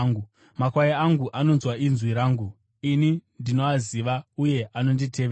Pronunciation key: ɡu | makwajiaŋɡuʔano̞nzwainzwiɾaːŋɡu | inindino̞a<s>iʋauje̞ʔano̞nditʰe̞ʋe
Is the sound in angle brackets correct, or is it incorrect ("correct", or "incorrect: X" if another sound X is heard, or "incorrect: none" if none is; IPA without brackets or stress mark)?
incorrect: z